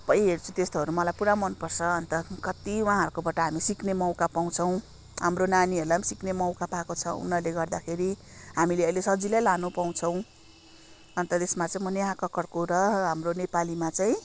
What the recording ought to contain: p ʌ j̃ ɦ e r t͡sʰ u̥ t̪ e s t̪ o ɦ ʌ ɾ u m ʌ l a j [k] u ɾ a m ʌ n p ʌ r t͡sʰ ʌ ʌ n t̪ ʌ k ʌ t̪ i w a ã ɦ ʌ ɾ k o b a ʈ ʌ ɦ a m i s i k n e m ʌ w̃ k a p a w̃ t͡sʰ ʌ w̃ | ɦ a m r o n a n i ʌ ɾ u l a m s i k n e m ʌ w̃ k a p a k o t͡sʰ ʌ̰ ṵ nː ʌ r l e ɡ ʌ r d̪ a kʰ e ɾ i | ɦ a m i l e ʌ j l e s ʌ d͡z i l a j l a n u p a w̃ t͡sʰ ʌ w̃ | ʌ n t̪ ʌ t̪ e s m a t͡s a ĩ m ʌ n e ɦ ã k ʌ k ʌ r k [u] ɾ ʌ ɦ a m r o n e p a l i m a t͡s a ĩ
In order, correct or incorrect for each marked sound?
incorrect, incorrect

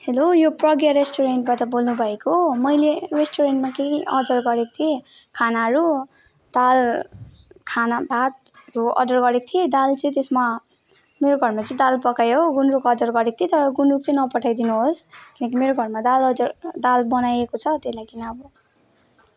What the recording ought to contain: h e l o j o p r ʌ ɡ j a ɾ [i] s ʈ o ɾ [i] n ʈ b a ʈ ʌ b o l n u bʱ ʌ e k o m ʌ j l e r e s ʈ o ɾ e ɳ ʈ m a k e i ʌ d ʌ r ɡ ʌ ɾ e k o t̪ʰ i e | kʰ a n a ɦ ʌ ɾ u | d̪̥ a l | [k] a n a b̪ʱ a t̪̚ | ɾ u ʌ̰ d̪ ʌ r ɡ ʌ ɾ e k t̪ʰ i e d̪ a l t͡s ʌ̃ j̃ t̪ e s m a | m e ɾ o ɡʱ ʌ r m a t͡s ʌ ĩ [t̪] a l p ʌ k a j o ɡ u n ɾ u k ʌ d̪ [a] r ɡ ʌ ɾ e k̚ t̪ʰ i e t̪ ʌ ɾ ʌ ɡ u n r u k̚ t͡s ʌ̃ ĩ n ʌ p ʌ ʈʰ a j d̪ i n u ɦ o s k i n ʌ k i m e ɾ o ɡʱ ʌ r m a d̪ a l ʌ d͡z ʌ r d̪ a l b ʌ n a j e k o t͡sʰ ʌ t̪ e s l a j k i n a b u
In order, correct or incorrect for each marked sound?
incorrect, incorrect, incorrect, incorrect, incorrect

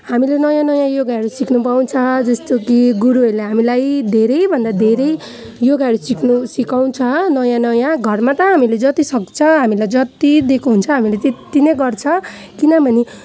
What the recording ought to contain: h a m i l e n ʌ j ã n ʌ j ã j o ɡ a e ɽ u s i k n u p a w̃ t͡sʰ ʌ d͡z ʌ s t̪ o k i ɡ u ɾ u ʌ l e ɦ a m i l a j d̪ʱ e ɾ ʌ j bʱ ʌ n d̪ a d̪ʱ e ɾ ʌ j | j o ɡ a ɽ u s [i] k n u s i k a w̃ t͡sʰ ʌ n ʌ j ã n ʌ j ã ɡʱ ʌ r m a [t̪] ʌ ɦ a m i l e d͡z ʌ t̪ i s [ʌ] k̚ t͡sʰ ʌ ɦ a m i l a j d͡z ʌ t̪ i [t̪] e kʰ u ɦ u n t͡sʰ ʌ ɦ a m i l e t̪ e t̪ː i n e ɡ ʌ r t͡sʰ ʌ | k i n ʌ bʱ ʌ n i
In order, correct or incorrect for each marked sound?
correct, correct, correct, incorrect

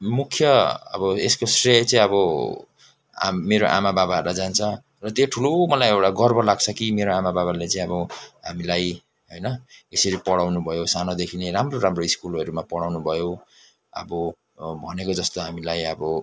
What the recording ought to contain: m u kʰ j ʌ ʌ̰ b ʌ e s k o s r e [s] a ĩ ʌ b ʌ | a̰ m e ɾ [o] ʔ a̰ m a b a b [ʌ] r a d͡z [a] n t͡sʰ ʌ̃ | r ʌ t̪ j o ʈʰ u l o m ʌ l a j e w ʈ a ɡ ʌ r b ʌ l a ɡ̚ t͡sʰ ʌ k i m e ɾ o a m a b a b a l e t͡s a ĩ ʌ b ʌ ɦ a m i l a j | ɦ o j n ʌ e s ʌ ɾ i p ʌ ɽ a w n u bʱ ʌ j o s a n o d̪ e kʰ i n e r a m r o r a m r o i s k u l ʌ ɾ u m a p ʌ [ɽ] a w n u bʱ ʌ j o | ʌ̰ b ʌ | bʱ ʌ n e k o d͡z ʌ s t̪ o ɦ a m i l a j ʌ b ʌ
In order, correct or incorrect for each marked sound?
incorrect, correct, incorrect, correct, correct

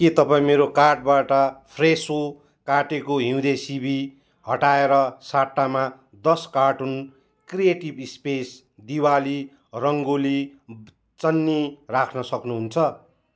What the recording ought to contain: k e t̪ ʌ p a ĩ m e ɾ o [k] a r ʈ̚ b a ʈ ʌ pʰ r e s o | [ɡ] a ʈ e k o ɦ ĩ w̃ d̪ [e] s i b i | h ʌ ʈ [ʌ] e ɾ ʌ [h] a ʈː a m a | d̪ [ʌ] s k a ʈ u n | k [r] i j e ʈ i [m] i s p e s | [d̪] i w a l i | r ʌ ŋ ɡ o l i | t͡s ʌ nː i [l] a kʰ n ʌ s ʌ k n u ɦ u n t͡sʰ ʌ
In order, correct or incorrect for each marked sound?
correct, incorrect, correct, incorrect, incorrect, correct, correct, incorrect, correct, incorrect

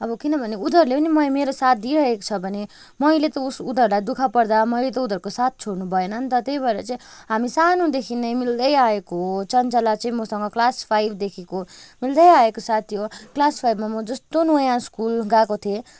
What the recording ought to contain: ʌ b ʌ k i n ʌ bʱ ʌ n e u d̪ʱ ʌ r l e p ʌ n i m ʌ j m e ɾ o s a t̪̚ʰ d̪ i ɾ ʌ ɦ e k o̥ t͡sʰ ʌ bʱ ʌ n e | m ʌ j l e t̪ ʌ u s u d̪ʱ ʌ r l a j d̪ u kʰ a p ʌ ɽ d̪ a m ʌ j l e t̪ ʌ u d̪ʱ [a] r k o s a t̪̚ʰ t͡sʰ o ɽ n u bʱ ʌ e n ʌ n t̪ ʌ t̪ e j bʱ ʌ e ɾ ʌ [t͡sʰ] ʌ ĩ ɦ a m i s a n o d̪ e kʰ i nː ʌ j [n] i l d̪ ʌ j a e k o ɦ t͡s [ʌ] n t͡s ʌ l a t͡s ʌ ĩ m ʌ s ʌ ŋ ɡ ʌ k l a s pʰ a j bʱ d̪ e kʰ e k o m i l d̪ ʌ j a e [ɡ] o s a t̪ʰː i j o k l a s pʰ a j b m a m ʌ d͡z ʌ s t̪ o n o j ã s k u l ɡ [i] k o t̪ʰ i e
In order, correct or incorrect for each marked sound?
incorrect, incorrect, incorrect, correct, incorrect, incorrect

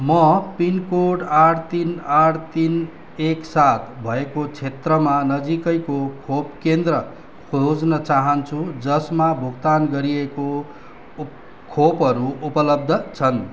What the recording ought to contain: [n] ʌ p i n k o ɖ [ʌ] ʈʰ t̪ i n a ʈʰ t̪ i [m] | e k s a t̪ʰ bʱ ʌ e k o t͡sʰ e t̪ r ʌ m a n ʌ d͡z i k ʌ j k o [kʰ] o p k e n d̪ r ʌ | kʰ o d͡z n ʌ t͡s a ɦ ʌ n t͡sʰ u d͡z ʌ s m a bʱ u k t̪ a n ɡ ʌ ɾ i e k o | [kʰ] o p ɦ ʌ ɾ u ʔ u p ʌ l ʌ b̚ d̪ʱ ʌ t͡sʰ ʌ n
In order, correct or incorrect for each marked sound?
incorrect, incorrect, incorrect, correct, correct

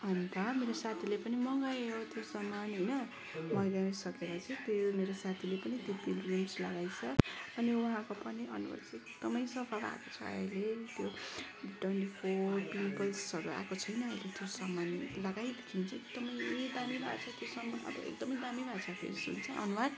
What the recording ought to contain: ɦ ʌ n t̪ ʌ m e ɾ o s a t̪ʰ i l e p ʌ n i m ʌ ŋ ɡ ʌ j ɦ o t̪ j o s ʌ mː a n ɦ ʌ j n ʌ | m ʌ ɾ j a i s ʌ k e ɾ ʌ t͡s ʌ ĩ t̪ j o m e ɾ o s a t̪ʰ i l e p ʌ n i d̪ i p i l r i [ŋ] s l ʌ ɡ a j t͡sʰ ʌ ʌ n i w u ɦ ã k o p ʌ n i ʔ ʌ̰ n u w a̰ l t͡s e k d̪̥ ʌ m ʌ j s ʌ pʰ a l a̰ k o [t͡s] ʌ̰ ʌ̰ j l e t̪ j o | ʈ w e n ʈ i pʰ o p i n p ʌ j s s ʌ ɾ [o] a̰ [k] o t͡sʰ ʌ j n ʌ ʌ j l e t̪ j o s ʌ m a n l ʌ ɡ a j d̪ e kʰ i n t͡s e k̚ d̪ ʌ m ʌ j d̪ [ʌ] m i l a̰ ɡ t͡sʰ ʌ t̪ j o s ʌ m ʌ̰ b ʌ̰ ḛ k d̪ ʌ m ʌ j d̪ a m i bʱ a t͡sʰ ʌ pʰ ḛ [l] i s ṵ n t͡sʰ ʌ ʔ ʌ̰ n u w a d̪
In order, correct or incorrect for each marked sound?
incorrect, incorrect, incorrect, correct, incorrect, incorrect

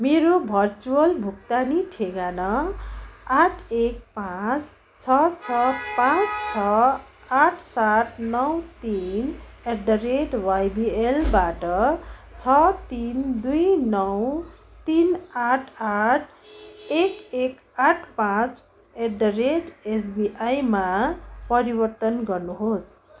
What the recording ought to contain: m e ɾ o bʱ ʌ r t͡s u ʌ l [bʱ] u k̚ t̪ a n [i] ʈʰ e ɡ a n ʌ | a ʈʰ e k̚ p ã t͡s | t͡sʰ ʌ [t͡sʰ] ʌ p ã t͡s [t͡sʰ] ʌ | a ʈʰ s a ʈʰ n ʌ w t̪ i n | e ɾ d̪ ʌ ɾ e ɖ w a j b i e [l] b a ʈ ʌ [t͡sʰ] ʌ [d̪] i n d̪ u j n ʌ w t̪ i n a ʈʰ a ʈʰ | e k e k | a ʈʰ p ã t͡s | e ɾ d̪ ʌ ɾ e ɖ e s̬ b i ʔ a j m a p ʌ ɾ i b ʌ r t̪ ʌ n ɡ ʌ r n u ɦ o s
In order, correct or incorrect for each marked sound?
correct, correct, correct, correct, correct, correct, incorrect

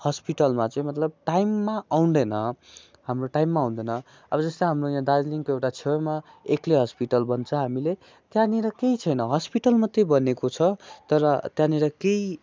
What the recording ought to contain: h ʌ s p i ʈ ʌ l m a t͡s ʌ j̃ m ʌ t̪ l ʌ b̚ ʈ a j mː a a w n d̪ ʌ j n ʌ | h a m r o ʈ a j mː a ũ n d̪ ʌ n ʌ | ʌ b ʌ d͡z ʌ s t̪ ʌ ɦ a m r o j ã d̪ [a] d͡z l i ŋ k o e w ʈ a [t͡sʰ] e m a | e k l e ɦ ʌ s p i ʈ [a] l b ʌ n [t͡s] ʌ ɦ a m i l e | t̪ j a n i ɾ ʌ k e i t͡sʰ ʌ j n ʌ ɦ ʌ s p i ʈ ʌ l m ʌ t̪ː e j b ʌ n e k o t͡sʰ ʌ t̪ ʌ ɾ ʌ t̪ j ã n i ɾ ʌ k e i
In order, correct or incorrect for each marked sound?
correct, correct, incorrect, incorrect

